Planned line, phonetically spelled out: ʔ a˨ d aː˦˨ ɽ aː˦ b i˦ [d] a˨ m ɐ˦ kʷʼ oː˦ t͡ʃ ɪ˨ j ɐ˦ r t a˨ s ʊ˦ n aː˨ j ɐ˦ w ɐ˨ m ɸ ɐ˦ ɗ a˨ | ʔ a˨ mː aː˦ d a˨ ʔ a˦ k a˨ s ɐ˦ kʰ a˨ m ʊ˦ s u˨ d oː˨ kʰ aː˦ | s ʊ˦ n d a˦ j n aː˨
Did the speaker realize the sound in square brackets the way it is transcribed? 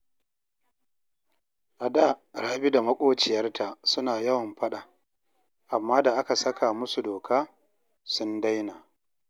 yes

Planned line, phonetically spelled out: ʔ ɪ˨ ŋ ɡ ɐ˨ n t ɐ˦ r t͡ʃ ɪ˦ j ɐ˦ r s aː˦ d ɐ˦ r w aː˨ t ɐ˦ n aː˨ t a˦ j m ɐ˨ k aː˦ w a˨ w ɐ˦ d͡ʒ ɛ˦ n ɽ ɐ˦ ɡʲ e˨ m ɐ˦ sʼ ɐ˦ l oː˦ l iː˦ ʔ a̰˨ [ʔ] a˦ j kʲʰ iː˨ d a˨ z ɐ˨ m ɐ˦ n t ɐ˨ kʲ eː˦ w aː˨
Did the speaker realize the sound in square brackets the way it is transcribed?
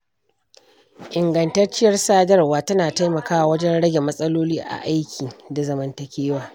yes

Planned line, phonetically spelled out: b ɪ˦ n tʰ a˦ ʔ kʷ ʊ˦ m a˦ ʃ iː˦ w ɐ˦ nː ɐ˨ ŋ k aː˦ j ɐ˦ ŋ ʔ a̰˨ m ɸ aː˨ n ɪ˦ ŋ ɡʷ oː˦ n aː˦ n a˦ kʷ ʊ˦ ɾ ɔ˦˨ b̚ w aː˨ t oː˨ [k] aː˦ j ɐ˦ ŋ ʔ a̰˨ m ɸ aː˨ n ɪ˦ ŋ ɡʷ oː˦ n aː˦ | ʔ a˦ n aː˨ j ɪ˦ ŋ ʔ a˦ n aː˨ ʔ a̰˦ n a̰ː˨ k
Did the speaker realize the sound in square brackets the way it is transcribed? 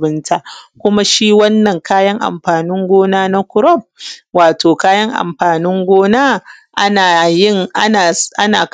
yes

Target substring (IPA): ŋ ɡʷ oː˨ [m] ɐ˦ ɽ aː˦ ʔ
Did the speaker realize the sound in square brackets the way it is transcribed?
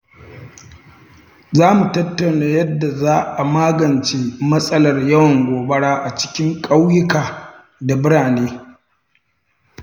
no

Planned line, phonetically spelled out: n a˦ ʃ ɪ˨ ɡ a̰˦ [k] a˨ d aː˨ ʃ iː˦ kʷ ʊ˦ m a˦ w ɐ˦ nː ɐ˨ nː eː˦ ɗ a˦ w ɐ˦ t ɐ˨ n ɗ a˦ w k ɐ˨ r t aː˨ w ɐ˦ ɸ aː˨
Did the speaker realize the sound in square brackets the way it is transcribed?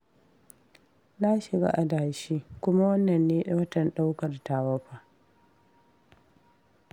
no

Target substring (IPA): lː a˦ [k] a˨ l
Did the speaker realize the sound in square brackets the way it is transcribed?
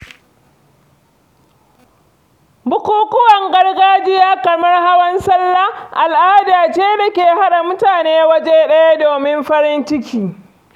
no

